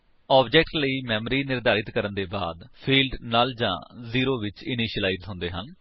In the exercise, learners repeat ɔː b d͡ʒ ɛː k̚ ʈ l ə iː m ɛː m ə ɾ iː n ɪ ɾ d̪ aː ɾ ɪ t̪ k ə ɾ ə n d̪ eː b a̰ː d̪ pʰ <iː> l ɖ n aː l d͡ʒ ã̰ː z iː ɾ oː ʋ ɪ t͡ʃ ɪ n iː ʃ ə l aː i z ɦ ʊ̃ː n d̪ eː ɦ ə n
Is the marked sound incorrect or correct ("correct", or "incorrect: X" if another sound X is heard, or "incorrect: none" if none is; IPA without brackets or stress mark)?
correct